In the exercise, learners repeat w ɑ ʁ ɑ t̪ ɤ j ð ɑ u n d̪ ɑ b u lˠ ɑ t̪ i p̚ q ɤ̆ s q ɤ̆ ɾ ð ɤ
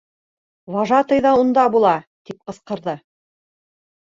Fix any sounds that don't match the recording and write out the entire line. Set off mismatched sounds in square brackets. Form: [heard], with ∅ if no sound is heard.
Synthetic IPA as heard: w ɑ [ʒ] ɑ t̪ ɤ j ð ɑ u n d̪ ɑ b u lˠ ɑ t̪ i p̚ q ɤ̆ s q ɤ̆ ɾ ð ɤ